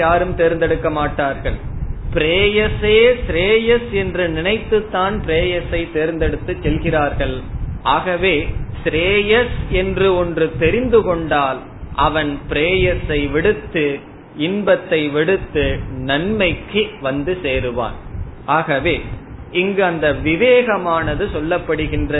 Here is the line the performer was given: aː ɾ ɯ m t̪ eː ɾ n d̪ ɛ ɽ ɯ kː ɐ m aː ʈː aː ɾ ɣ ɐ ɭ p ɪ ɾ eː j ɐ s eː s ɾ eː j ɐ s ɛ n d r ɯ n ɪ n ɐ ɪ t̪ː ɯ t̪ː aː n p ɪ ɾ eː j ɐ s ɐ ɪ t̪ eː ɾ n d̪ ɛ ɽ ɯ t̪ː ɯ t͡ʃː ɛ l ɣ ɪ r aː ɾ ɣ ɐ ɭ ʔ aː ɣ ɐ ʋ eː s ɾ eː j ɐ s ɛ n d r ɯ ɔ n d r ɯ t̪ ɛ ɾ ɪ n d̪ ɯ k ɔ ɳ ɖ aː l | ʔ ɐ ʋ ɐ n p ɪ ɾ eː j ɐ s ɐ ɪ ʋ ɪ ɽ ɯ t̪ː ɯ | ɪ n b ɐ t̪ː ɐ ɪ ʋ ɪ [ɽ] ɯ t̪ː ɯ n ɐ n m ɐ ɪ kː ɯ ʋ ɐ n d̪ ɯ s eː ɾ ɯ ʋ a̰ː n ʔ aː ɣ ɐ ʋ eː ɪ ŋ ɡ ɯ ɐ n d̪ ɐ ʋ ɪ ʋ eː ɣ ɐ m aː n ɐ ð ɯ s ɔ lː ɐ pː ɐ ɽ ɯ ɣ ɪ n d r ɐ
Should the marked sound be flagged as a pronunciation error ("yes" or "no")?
no